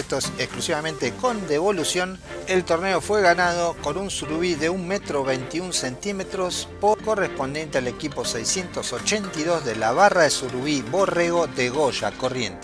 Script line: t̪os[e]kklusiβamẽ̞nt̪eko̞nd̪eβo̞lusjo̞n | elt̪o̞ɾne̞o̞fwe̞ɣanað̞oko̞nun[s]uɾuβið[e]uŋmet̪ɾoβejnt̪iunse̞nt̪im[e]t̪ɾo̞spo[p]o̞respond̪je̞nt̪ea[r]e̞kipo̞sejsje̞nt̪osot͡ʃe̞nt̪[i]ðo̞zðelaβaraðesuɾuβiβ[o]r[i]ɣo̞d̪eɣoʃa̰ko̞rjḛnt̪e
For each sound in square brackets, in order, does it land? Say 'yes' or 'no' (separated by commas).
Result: yes, yes, yes, yes, no, no, yes, yes, no